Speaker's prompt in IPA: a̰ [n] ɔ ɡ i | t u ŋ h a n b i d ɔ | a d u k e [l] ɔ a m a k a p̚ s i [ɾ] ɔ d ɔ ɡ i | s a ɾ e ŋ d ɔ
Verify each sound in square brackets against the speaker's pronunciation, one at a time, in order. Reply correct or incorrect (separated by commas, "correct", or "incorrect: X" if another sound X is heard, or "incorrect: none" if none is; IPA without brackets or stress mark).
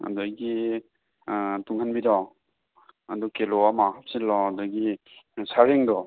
incorrect: d, correct, incorrect: l